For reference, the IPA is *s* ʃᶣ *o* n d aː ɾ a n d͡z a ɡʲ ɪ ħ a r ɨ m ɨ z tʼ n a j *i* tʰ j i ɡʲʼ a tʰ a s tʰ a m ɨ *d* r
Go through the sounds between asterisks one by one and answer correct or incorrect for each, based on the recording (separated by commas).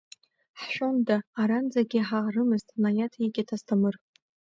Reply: incorrect, correct, incorrect, incorrect